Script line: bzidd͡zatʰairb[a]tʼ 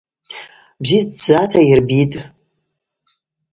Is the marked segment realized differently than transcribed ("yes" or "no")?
yes